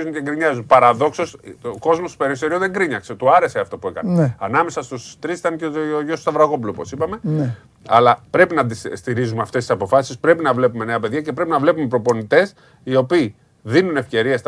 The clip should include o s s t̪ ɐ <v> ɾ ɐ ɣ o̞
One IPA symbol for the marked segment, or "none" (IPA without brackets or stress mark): v